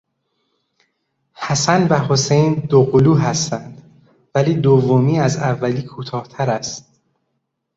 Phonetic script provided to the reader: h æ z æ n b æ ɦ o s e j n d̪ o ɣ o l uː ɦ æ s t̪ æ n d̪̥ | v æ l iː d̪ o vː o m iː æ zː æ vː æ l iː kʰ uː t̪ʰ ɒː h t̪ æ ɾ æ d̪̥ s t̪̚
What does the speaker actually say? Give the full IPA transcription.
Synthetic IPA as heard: h æ s æ n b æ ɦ o s e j n d̪ o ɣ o l uː ɦ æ s t̪ æ n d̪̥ | v æ l iː d̪ o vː o m iː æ z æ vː æ l iː kʰ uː t̪ʰ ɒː h t̪ʰ æ ɾ æ s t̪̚